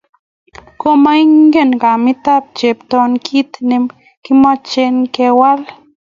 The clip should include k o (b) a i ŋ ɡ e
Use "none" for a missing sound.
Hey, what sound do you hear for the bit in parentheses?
m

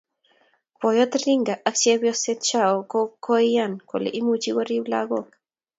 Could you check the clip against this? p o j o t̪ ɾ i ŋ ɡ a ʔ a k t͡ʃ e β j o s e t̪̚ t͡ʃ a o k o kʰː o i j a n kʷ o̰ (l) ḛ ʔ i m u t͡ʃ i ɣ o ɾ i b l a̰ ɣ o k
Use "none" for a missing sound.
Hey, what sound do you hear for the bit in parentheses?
l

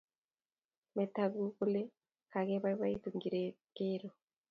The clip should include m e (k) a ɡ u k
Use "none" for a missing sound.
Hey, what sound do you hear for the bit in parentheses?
t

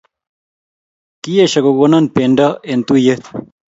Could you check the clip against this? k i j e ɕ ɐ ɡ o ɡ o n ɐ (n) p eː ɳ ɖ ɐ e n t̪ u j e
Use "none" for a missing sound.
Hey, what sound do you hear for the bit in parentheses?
n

